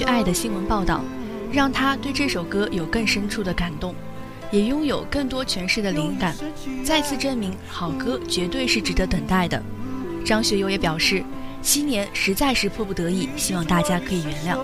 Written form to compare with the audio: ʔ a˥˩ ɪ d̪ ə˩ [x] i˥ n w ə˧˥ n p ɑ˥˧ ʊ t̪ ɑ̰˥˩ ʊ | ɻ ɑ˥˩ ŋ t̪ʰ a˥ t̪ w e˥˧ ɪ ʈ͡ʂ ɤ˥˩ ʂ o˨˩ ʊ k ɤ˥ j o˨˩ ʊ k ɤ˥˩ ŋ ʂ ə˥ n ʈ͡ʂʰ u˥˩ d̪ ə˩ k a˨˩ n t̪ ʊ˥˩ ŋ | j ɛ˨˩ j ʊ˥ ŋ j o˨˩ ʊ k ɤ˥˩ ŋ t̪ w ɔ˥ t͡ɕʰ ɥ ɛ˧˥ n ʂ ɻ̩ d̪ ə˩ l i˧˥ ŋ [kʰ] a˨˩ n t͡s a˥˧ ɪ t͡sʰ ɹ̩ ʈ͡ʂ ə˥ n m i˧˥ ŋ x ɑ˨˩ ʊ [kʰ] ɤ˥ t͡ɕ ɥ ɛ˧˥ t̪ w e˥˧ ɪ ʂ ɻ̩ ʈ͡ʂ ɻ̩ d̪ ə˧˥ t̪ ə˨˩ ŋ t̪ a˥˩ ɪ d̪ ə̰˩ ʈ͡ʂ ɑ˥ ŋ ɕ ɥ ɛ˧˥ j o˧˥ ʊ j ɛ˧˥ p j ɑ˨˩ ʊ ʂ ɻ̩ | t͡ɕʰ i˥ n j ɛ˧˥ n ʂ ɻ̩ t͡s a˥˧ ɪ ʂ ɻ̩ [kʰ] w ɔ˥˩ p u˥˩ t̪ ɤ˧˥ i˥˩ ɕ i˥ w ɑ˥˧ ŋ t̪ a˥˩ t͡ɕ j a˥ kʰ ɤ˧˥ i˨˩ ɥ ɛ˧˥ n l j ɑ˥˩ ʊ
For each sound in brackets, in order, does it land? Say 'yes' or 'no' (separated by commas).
no, no, no, no